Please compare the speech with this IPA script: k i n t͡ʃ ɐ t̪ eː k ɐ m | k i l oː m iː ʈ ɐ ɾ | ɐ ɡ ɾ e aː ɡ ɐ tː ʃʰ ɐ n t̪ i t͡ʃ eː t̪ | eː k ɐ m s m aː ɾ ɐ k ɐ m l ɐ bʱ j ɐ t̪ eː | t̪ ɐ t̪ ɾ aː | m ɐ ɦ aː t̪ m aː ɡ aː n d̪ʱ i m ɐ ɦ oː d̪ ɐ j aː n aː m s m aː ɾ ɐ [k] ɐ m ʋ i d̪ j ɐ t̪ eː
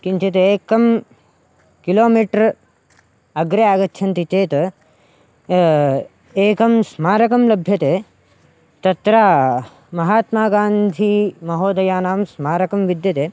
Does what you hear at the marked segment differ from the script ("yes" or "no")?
no